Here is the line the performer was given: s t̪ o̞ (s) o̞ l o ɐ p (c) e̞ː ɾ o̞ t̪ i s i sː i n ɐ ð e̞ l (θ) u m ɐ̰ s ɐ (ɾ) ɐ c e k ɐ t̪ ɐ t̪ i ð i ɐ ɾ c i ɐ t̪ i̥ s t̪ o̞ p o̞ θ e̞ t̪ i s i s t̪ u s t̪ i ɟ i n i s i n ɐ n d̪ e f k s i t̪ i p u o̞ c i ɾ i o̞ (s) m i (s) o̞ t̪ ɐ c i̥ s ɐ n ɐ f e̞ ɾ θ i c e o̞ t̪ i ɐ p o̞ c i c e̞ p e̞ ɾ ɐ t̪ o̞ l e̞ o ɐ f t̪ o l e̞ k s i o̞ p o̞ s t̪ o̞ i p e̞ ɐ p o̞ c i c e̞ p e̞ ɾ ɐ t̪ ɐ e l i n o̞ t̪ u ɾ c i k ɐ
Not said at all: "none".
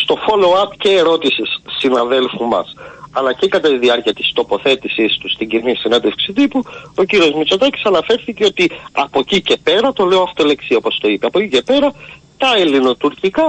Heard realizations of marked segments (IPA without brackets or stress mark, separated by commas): f, c, f, l, z, t͡s